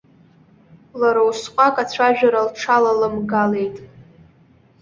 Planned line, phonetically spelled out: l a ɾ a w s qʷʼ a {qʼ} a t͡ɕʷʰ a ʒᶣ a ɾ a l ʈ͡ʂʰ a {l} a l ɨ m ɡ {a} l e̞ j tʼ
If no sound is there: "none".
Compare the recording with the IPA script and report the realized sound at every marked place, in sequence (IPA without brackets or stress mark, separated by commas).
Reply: kʼ, l, a